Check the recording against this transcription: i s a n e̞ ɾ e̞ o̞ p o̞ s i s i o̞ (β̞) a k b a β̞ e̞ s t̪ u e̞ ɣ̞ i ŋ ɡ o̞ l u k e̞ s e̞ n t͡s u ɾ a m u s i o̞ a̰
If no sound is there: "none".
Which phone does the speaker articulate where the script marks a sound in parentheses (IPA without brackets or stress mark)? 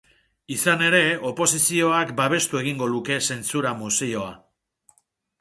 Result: none